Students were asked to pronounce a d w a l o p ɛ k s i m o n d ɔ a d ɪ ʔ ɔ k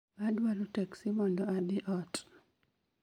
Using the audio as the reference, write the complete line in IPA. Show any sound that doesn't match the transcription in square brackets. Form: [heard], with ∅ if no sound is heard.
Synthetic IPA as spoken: a d w a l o [t] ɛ k s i m [ɔ] n d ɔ a d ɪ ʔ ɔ [t]